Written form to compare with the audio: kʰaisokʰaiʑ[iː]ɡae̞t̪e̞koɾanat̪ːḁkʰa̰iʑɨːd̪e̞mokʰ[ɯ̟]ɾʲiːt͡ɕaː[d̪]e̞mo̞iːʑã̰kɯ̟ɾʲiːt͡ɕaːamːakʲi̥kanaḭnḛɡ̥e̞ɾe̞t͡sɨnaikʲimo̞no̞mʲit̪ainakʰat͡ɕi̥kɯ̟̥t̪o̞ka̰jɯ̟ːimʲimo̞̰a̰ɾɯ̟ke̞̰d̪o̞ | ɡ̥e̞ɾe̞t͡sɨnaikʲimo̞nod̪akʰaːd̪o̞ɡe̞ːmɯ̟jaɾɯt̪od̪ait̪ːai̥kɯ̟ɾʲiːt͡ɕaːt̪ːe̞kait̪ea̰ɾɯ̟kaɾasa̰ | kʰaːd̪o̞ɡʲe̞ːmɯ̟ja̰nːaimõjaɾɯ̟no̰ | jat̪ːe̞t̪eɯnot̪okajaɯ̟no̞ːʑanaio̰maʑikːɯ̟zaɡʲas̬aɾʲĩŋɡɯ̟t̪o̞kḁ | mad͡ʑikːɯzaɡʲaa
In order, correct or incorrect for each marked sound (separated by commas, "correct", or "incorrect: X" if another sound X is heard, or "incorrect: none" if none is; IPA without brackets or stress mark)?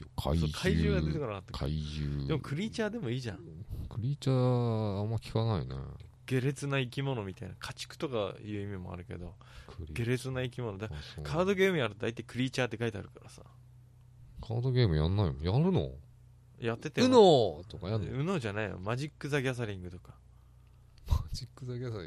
incorrect: ɨː, correct, correct